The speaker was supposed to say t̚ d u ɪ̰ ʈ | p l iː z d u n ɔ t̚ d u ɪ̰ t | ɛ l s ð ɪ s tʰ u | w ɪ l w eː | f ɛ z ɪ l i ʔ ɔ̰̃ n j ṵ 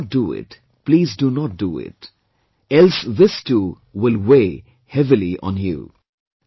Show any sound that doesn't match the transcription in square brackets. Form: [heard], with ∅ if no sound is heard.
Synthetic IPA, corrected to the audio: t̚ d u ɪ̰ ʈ | p l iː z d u n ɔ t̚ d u ɪ̰ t | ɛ l s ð ɪ s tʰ u | w ɪ l w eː | [h] ɛ [v] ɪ l i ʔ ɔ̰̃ n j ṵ